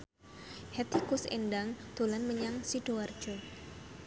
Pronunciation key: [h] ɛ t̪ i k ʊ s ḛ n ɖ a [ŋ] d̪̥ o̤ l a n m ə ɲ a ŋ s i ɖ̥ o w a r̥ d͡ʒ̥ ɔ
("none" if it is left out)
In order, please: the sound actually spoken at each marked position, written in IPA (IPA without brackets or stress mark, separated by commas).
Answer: h, ŋ